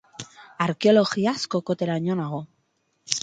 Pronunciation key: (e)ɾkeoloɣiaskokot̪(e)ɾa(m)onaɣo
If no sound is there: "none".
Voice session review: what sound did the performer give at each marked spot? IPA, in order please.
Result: a, e, ɲ

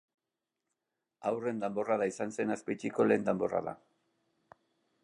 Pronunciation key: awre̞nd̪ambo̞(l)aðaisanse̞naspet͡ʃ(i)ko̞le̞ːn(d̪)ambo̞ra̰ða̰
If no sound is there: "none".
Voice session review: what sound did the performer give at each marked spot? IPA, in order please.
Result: r, i, d̪

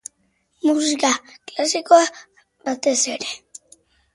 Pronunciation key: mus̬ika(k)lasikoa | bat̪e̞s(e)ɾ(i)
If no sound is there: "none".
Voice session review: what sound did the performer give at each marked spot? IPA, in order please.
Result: k, e, e

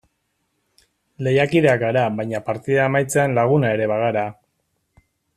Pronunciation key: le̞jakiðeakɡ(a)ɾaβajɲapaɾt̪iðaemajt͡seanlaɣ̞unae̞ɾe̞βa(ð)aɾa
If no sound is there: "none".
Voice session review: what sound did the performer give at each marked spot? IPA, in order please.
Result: a, ɣ

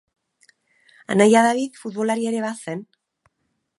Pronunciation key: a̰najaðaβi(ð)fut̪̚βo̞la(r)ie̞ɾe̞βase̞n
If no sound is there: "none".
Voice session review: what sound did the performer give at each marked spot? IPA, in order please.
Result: ð, ɾ

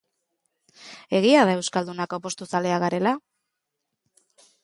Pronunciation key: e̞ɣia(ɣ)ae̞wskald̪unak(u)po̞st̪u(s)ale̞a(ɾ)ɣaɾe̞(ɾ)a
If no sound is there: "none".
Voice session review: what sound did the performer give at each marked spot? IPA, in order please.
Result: ð, o, s, none, l

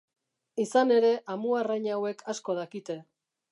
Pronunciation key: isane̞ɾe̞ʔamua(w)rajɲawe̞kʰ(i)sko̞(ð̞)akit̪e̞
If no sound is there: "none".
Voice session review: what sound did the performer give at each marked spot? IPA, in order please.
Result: none, a, ð̞

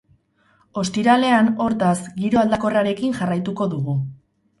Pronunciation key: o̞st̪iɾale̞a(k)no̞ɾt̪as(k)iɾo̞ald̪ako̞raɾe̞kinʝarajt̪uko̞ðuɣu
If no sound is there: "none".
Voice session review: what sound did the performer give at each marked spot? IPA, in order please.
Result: none, ɡ

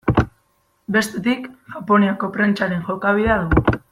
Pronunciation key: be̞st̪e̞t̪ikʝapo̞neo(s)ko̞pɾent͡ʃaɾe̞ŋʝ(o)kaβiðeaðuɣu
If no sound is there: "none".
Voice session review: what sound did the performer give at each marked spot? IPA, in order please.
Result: none, o

